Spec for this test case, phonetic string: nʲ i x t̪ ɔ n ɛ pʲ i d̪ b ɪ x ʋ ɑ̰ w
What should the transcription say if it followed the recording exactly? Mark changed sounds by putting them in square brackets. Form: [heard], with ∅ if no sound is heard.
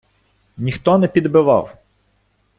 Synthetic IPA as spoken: nʲ i x t̪ ɔ n ɛ pʲ i d̪ b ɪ [∅] ʋ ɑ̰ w